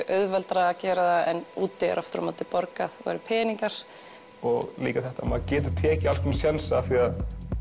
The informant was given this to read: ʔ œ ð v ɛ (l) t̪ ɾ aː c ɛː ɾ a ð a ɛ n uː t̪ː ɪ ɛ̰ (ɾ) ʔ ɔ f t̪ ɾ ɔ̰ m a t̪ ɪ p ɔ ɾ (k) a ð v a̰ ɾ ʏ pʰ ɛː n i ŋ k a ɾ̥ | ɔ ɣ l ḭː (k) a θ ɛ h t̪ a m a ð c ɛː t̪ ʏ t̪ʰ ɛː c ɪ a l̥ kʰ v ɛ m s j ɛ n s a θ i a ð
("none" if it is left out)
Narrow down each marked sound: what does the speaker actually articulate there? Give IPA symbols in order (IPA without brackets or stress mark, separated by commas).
l, ɾ, k, k